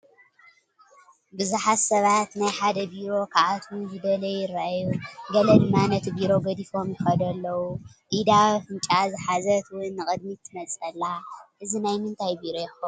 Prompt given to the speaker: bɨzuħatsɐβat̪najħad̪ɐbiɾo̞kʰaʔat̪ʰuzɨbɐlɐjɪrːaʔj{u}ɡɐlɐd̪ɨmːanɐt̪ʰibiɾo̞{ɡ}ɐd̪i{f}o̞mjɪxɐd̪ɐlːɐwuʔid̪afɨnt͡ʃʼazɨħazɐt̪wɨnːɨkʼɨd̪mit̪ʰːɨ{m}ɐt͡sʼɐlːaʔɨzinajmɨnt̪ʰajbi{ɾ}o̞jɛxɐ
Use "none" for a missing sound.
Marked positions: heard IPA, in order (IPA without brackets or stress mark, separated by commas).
u, ɡ, f, m, ɾ